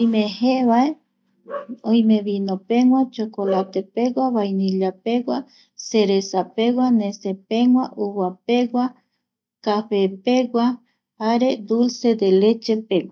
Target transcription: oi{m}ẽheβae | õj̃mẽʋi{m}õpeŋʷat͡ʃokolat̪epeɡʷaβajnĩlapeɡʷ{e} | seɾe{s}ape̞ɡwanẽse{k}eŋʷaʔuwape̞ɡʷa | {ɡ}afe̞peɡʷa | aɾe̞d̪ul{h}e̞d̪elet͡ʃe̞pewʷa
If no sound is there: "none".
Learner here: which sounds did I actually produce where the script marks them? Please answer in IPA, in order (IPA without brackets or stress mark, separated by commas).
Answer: m, n, a, s, p, k, s